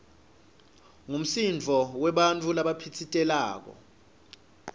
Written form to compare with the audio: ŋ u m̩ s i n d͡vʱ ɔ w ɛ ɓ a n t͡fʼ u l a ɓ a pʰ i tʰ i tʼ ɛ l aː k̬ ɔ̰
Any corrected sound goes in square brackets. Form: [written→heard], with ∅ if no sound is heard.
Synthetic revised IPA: ŋ u m̩ s i n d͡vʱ ɔ w ɛ ɓ a n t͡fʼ u l a ɓ a pʰ i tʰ i tʼ ɛ l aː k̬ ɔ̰